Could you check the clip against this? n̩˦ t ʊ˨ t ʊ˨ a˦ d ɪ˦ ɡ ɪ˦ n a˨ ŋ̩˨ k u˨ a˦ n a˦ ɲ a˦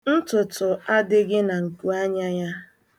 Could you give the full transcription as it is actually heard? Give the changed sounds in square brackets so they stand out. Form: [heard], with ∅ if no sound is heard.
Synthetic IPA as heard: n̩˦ t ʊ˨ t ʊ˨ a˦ d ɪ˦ ɡ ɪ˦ n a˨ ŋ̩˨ k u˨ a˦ [ɲ] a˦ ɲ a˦